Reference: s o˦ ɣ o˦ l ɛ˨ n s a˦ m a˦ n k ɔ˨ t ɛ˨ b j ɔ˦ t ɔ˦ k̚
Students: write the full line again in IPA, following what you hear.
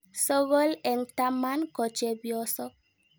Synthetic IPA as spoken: s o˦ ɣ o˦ l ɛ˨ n t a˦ m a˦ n k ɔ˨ t͡ʃ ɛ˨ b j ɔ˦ s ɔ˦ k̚